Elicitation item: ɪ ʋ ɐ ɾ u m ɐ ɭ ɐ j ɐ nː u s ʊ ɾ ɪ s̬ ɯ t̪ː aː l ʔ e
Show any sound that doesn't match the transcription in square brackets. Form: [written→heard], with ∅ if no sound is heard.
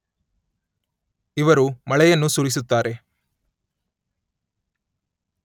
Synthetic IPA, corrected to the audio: ɪ ʋ ɐ ɾ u m ɐ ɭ ɐ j ɐ nː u s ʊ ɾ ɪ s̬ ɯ t̪ː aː [l→ɾ] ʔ e